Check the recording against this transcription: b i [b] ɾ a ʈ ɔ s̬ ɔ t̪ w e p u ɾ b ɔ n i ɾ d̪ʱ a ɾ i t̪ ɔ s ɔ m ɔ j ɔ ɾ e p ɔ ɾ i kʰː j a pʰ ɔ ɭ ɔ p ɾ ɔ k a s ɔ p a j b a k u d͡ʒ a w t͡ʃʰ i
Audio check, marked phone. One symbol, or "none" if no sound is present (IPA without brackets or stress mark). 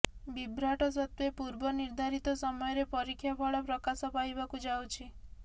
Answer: b